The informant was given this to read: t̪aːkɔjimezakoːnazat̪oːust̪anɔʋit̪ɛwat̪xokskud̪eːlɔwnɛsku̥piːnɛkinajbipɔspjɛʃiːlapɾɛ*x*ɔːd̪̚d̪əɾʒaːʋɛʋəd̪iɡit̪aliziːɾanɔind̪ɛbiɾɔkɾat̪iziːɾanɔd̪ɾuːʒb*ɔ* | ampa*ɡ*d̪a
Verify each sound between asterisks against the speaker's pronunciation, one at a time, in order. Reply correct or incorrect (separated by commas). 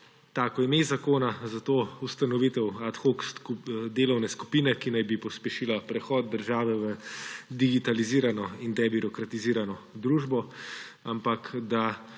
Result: correct, correct, incorrect